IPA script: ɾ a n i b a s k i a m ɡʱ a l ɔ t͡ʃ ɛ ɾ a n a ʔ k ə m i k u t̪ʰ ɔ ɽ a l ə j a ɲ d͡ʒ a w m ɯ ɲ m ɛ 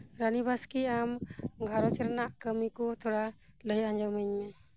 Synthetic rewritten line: ɾ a n i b a s k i a m ɡʱ a ɾ ɔ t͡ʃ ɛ ɾ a n a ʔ k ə m i k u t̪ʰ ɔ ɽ a l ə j a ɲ d͡ʒ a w m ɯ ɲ m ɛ